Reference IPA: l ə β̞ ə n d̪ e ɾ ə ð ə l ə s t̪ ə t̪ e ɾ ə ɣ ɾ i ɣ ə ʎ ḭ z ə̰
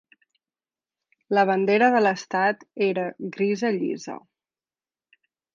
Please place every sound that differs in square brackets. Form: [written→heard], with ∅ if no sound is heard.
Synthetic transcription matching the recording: l ə β̞ ə n d̪ e ɾ ə ð ə l ə s t̪ [ə→a] t̪ e ɾ ə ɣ ɾ i [ɣ→z] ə ʎ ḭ z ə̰